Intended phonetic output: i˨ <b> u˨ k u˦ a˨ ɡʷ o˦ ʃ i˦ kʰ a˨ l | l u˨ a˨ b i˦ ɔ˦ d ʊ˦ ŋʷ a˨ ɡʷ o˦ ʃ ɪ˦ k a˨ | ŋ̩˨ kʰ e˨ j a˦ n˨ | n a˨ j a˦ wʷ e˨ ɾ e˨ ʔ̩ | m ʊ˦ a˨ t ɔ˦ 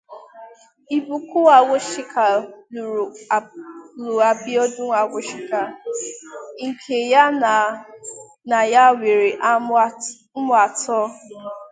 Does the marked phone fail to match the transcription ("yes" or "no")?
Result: no